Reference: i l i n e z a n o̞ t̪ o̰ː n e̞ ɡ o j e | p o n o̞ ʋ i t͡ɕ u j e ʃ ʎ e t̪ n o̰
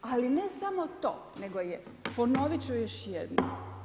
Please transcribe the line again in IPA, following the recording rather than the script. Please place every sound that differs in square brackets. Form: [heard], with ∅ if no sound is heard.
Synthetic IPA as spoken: [a] l i n e [s] a [m] o̞ t̪ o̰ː n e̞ ɡ o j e | p o n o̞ ʋ i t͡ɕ u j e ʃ [j] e [d̪] n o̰